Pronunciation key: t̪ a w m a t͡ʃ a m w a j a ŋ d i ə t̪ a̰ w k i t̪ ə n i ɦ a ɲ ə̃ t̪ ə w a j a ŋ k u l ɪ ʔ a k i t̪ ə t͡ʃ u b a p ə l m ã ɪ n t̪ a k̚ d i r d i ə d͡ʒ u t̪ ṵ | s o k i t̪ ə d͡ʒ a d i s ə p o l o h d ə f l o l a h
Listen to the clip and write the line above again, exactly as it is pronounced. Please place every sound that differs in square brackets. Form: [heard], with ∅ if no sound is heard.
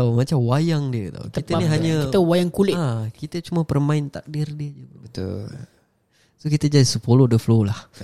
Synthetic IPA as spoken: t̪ a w m a t͡ʃ a m w a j a ŋ d i ə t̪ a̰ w k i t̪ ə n i ɦ a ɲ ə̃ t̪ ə w a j a ŋ k u l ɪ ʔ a k i t̪ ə t͡ʃ u [m] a p ə [r] m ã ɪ n t̪ a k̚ d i r d i ə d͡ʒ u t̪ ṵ | s o k i t̪ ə d͡ʒ a d i s ə p o l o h d ə f l o l a h